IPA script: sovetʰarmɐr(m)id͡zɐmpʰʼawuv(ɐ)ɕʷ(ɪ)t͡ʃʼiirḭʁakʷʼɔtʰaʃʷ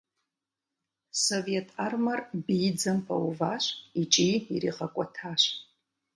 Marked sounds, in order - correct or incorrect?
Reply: incorrect: b, incorrect: a, incorrect: i

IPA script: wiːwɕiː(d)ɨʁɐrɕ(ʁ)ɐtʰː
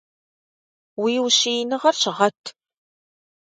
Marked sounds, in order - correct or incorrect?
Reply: incorrect: n, correct

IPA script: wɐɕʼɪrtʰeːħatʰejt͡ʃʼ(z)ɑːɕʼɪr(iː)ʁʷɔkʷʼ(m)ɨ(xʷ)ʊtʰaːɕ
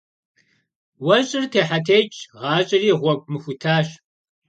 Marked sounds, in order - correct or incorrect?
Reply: incorrect: ʁ, correct, correct, correct

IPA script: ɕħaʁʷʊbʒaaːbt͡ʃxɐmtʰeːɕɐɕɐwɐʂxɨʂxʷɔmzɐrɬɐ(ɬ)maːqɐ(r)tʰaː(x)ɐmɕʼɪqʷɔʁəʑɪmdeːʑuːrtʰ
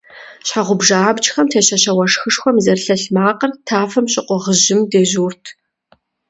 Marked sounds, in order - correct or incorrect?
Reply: correct, correct, incorrect: f

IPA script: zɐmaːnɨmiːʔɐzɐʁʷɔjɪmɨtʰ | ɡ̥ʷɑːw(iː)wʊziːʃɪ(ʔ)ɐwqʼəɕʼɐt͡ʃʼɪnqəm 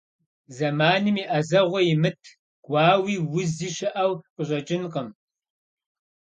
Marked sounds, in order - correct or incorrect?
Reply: correct, correct

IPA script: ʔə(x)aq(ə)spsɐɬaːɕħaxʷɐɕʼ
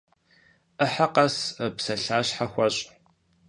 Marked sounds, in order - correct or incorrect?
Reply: incorrect: ħ, incorrect: ɐ

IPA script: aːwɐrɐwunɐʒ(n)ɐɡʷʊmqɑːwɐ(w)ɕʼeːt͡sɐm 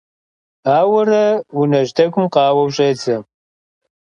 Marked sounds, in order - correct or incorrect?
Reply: incorrect: d, correct

